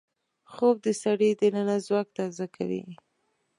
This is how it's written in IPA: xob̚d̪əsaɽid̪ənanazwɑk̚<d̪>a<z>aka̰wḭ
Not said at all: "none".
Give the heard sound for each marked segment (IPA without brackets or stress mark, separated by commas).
t̪, z